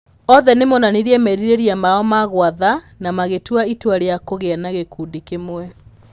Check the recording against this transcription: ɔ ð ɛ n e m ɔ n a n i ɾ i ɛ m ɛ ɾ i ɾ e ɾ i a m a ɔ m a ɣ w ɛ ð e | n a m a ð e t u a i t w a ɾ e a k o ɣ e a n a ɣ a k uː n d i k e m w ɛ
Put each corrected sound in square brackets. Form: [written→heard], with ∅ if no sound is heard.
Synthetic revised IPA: ɔ ð ɛ n e m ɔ n a n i ɾ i ɛ m ɛ ɾ i ɾ e ɾ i a m a ɔ m a ɣ w [ɛ→a] ð [e→a] | n a m a [ð→ɣ] e t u a i t w a ɾ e a k o ɣ e a n a ɣ [a→e] k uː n d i k e m w ɛ